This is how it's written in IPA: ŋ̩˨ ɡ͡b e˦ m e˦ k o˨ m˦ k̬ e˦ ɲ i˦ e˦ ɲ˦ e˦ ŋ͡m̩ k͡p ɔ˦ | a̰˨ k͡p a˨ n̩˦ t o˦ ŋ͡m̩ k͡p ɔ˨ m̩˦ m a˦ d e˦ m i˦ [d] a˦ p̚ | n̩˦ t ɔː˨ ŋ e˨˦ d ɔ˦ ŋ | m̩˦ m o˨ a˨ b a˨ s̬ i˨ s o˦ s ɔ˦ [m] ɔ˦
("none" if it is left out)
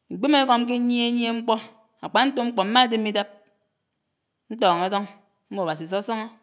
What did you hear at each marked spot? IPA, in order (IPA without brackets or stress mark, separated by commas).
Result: d, ŋ